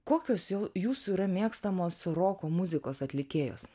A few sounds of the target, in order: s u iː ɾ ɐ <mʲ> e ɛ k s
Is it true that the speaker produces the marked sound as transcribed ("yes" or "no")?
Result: yes